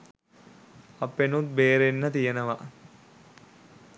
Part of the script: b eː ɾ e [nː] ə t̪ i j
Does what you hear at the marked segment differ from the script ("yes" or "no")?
no